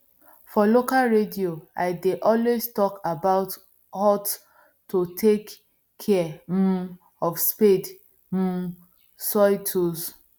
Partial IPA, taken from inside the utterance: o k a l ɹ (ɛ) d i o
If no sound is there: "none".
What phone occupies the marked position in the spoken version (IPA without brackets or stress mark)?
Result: e